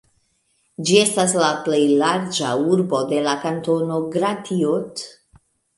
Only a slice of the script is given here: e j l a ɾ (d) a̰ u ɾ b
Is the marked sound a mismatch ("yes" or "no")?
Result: yes